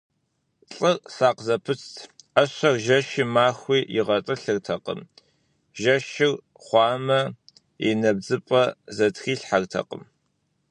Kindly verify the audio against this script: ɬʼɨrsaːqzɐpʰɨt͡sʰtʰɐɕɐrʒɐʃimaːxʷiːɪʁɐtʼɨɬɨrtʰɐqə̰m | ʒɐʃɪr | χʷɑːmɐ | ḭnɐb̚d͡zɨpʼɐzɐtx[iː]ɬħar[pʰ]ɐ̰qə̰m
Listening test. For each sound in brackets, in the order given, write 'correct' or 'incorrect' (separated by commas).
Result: correct, incorrect